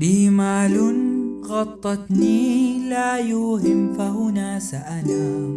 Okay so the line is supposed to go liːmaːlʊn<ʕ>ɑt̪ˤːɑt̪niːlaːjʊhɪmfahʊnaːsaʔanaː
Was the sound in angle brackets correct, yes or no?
no